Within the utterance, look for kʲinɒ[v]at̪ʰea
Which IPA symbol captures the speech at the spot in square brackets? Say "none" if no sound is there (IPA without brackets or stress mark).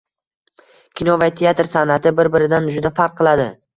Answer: v